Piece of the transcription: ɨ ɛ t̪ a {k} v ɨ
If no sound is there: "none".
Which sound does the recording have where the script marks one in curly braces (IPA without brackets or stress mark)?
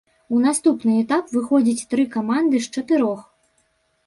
p